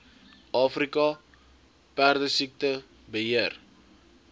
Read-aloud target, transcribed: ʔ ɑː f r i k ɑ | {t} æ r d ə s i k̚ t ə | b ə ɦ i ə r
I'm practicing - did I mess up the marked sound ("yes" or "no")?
yes